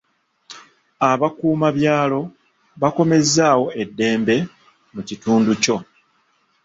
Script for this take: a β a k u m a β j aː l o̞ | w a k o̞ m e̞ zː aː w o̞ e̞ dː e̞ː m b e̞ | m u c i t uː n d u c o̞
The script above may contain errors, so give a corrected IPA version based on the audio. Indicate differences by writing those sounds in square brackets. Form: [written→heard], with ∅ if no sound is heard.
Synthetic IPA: a β a k [u→uː] m a β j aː l o̞ | [w→β] a k o̞ m e̞ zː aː w o̞ e̞ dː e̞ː m b e̞ | m u c i t uː n d u c o̞